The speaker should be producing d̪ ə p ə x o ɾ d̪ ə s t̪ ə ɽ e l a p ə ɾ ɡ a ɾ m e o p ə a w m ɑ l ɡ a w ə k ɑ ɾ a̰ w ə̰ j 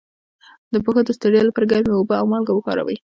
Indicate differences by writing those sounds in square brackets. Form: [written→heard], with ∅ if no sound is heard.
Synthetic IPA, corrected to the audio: d̪ ə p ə x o [ɾ→∅] d̪ ə s t̪ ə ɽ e l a p ə ɾ ɡ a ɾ m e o [p→b] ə a w m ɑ l ɡ a w ə k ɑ ɾ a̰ w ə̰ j